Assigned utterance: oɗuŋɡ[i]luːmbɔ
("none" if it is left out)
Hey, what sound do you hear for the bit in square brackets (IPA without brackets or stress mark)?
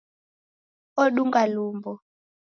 a